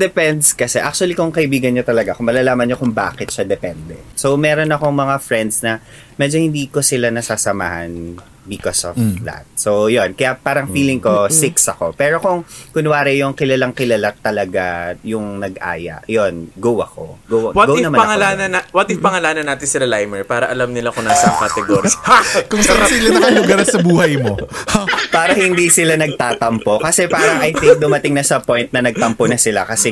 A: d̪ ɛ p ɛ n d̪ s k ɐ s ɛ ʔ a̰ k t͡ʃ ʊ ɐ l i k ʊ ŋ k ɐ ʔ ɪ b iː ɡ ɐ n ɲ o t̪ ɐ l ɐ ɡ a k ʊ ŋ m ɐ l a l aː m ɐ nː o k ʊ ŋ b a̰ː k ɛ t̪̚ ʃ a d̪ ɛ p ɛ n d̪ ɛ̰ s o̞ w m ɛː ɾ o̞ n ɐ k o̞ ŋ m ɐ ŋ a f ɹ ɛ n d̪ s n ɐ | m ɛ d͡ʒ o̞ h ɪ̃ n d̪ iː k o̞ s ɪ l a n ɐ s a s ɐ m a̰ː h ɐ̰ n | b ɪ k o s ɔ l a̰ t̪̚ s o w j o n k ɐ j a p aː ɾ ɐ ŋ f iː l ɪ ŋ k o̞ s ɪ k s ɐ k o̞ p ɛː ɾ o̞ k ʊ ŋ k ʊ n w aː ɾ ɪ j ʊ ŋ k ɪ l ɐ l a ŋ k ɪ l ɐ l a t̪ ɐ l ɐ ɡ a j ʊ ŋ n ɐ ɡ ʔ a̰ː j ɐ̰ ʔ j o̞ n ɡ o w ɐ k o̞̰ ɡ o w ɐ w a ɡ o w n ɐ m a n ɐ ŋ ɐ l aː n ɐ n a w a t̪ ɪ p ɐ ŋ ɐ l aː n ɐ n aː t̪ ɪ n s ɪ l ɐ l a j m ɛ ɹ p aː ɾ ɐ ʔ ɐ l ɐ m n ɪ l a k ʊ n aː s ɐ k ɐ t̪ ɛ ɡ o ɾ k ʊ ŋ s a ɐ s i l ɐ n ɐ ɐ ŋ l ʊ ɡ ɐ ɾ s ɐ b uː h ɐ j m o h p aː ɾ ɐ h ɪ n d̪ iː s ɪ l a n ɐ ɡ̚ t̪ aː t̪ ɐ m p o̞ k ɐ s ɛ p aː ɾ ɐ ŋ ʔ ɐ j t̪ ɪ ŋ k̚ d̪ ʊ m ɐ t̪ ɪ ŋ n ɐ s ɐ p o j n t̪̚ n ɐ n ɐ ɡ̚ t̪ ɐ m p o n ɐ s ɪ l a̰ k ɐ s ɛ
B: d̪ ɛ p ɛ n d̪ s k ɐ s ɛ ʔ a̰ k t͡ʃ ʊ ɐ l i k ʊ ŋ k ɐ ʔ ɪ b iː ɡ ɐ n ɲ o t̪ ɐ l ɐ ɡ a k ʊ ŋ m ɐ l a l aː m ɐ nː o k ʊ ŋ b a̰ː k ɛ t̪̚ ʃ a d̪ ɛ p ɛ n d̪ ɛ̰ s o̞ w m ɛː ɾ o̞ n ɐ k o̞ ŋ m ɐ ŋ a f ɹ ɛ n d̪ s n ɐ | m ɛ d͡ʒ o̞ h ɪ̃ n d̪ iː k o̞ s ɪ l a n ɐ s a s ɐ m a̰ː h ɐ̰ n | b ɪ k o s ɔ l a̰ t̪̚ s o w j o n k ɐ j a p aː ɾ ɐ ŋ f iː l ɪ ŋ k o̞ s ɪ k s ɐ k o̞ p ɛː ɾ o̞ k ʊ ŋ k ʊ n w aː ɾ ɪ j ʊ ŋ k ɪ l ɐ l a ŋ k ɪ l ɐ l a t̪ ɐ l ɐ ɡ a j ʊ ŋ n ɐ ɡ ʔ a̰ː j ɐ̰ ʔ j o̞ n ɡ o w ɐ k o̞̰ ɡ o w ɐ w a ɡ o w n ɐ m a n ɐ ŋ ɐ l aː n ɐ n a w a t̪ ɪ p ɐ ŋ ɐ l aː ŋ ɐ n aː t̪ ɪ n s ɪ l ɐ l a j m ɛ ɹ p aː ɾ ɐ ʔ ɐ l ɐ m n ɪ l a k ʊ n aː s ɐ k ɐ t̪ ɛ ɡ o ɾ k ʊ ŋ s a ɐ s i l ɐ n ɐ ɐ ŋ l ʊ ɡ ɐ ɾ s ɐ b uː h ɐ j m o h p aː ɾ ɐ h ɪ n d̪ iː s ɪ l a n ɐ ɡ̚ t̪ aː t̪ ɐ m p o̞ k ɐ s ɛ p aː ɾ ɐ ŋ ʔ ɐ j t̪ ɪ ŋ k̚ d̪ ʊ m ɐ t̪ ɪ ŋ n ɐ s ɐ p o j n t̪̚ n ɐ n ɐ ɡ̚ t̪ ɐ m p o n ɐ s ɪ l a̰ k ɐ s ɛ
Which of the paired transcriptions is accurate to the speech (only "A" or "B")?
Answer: A